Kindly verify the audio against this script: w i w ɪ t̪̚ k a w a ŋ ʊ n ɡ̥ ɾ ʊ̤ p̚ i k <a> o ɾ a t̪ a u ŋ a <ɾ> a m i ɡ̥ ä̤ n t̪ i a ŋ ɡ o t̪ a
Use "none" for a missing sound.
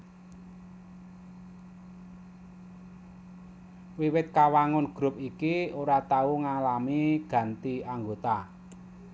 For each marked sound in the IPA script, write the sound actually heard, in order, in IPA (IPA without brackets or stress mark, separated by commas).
i, l